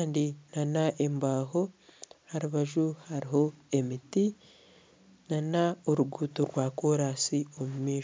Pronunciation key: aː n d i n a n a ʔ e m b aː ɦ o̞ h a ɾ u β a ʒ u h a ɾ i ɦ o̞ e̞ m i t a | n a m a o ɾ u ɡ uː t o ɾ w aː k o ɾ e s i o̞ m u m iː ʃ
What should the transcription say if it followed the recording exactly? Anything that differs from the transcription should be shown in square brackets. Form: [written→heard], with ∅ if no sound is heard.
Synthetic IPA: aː n d i n a n a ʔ e m b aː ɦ o̞ h a ɾ u β a ʒ u h a ɾ i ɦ o̞ e̞ m i t [a→i] | n a [m→n] a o ɾ u ɡ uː t o ɾ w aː k o ɾ [e→a] s i o̞ m u m iː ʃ